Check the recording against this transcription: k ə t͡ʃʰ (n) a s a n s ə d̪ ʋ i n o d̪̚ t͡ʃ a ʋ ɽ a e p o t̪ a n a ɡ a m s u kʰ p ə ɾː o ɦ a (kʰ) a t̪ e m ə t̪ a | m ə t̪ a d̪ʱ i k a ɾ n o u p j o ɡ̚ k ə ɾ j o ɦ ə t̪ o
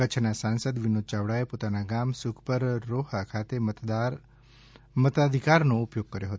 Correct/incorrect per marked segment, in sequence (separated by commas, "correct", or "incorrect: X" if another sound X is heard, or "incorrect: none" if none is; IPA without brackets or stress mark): correct, correct